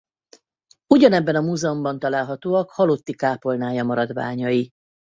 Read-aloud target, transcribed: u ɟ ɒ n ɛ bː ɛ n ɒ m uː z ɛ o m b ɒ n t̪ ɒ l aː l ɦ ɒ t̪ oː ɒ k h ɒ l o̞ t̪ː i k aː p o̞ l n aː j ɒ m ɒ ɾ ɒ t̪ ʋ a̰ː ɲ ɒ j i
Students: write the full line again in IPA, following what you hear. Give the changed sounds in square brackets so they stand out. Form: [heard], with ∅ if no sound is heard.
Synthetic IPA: u ɟ ɒ n ɛ bː ɛ n ɒ m uː z ɛ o m b ɒ n t̪ ɒ l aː l ɦ ɒ t̪ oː ɒ k h ɒ l o̞ t̪ː i k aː p o̞ l n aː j ɒ m ɒ ɾ ɒ [d̪] ʋ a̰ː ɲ ɒ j i